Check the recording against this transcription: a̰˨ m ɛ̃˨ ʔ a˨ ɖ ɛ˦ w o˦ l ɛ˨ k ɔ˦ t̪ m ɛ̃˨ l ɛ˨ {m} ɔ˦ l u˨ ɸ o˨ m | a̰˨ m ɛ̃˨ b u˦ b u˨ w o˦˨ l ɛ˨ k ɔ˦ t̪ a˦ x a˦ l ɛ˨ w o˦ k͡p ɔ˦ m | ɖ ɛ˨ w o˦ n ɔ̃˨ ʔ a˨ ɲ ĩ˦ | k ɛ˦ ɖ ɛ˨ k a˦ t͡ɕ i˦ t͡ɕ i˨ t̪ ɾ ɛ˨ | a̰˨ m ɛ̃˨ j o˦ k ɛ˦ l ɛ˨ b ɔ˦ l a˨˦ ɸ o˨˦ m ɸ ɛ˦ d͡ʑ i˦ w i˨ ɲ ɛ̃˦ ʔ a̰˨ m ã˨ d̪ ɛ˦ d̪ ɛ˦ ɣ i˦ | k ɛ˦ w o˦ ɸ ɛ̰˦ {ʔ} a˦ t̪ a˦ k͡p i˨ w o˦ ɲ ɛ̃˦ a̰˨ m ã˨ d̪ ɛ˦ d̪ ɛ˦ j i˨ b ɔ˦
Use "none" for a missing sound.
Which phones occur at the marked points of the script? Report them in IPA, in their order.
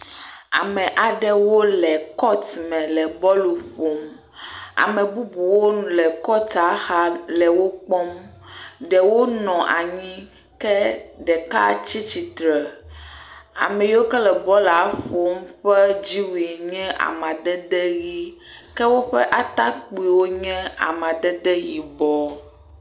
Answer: b, ʔ

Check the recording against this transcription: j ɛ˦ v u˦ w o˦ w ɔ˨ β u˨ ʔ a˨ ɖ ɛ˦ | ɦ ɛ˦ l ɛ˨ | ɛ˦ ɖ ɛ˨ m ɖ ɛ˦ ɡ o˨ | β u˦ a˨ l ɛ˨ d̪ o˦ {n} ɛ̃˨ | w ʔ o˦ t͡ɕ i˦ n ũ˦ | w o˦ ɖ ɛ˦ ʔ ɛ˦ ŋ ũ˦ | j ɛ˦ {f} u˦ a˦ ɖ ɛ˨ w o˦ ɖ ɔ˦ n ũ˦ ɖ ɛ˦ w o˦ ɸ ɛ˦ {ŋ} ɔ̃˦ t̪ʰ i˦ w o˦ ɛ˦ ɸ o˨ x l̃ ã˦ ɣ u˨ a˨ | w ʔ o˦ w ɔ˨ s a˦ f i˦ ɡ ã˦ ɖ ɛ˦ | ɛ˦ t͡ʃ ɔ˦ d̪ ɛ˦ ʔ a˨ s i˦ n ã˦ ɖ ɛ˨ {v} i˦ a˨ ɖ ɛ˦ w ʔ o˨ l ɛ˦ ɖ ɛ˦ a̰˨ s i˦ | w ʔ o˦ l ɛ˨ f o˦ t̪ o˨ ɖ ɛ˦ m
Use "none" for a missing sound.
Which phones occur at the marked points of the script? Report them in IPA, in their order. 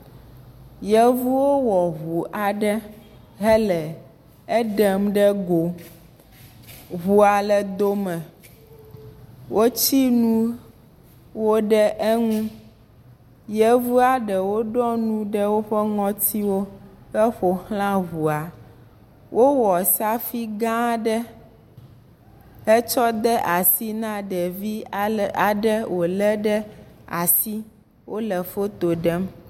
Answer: m, v, ŋ, v

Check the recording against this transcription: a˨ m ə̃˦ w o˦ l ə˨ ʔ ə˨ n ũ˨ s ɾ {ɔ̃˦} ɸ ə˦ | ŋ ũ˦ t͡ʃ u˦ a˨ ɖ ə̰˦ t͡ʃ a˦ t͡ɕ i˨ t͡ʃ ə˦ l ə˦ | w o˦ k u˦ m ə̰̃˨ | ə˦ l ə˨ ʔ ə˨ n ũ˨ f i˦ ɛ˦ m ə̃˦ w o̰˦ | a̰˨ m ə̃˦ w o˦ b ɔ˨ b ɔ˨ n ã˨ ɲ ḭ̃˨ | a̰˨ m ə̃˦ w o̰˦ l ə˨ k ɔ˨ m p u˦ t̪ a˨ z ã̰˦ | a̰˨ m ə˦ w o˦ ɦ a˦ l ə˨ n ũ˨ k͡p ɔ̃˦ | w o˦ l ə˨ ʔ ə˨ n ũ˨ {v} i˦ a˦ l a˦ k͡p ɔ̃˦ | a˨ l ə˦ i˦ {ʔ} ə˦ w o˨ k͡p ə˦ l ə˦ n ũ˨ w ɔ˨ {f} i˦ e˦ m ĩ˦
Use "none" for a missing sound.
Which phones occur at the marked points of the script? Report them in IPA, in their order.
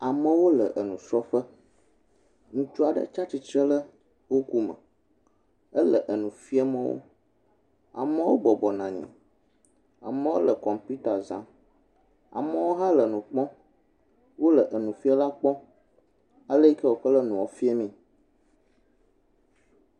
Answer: ɔ˦, f, k, f

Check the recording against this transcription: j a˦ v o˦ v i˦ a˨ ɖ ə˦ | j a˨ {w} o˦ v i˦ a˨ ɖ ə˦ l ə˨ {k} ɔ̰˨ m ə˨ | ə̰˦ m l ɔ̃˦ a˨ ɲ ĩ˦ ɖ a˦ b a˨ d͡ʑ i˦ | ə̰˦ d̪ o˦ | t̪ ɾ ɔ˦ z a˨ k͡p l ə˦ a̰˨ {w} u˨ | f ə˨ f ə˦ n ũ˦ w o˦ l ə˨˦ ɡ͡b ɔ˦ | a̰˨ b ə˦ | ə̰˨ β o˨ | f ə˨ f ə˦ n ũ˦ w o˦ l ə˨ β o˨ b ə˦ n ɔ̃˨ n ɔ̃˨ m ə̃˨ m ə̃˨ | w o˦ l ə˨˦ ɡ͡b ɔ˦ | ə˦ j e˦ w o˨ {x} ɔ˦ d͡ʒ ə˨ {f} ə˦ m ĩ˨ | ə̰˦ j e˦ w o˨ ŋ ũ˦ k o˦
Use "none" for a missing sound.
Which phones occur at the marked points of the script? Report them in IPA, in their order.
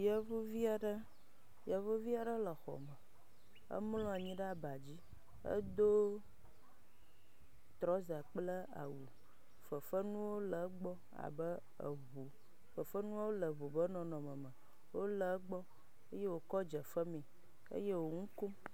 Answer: v, x, w, k, f

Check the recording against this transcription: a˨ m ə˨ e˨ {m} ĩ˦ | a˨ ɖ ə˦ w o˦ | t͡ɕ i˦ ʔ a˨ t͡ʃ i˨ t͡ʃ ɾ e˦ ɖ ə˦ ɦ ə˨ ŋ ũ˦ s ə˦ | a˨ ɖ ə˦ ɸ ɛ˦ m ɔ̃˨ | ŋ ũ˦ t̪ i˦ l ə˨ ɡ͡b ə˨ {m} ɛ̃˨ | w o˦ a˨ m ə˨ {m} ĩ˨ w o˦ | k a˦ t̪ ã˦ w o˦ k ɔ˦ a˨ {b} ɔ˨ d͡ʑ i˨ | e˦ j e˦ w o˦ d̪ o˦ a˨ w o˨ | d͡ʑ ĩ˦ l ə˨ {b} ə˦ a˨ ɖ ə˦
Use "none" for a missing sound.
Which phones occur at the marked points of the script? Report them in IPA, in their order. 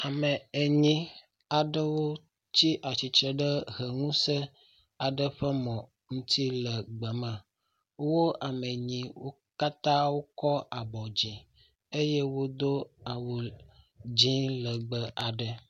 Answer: ɲ, m, ɲ, b, ɡ͡b

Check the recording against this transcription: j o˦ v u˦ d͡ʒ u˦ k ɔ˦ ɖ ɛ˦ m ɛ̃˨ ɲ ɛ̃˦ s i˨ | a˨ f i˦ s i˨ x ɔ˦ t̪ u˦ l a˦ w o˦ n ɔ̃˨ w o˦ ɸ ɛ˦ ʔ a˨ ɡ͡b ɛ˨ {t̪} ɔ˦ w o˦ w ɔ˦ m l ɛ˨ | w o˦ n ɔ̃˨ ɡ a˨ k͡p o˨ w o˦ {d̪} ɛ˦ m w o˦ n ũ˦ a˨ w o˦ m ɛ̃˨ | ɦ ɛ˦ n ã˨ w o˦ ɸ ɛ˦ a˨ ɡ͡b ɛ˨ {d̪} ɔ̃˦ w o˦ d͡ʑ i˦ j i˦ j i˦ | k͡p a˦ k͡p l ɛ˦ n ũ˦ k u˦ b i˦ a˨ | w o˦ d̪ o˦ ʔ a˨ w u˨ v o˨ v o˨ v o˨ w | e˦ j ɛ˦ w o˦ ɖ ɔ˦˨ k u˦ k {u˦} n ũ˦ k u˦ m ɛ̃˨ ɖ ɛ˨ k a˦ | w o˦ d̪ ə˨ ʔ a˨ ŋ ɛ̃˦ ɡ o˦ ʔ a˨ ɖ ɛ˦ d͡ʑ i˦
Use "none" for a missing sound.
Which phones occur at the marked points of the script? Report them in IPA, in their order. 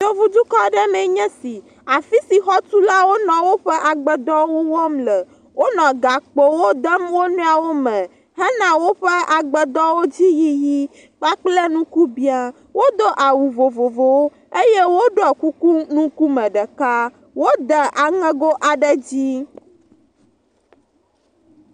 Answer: d̪, d̪, d̪, u˦

